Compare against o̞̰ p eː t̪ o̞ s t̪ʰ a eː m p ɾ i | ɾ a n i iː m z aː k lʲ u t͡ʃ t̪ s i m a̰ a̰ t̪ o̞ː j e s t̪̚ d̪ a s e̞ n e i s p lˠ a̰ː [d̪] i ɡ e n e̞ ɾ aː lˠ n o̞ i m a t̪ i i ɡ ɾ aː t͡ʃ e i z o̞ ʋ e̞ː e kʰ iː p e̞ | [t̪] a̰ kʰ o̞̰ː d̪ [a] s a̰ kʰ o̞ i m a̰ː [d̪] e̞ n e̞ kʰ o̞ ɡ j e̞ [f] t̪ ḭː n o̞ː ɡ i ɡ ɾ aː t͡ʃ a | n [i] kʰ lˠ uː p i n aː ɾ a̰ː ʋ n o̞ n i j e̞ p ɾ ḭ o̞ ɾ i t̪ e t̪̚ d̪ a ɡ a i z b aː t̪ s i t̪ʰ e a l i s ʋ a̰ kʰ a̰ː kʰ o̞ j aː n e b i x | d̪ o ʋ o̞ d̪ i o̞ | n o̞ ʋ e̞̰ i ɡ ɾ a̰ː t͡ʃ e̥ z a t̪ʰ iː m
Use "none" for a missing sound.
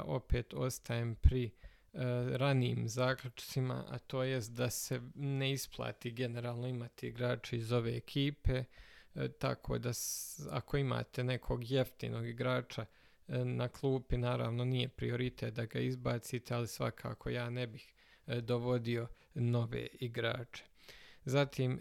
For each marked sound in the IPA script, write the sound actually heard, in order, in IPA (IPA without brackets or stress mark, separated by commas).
t̪, t̪, a, t̪, f, a